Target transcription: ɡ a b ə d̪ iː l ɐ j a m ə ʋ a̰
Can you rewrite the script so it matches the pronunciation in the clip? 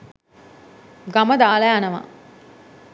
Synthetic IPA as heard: ɡ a m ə d̪ aː l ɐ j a n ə ʋ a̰